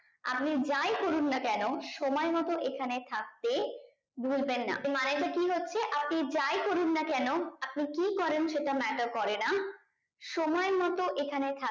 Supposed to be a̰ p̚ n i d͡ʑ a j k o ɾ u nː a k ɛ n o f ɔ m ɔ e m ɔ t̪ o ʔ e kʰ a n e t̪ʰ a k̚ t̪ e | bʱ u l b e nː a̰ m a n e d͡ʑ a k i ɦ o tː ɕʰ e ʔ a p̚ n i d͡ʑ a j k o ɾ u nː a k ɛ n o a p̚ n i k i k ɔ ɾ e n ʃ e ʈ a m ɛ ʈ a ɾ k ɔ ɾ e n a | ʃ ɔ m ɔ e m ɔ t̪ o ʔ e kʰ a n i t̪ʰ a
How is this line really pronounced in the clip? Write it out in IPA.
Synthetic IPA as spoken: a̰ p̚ n i d͡ʑ a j k o ɾ u nː a k ɛ n o ʃ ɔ m ɔ e m ɔ t̪ o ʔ e kʰ a n e t̪ʰ a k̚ t̪ e | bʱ u l b e nː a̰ m a n e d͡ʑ a k i ɦ o tː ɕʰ e ʔ a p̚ n i d͡ʑ a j k o ɾ u nː a k ɛ n o a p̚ n i k i k ɔ ɾ e n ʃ e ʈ a m ɛ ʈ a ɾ k ɔ ɾ e n a | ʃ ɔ m ɔ e m ɔ t̪ o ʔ e kʰ a n e t̪ʰ a